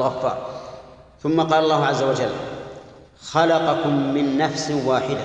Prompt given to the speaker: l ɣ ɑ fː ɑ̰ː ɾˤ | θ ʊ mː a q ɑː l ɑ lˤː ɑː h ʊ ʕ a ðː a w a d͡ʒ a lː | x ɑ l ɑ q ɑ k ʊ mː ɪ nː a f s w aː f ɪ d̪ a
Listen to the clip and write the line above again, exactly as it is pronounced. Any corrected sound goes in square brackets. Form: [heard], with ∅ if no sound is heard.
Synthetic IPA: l ɣ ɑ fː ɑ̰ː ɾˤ | θ ʊ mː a q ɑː l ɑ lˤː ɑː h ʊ ʕ a [zː] a w a d͡ʒ a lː | x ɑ l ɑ q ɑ k ʊ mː ɪ nː a f s w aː [ħ] ɪ d̪ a